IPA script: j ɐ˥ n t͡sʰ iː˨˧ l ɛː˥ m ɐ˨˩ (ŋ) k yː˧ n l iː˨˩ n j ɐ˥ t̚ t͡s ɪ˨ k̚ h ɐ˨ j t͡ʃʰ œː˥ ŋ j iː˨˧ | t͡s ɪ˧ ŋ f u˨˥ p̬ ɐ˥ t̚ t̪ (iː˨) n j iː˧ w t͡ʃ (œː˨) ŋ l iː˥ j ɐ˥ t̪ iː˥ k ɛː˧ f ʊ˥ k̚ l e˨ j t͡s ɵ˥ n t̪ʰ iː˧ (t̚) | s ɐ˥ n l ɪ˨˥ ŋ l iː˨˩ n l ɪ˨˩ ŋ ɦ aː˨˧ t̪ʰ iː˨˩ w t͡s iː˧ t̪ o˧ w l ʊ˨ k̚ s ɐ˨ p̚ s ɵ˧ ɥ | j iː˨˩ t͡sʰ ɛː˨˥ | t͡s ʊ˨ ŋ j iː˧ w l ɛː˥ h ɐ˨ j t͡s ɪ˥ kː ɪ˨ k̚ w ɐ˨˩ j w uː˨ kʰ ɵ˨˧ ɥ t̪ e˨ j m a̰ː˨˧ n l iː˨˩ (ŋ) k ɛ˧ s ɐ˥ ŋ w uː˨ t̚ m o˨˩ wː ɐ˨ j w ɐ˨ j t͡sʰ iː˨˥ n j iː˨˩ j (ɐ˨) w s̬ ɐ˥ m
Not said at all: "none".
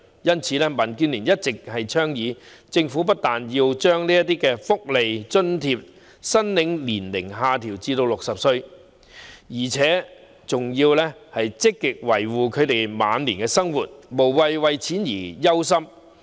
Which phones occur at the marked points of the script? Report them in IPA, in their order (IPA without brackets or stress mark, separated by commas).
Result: n, aː˨, œː˥, p̚, n, ɐ˥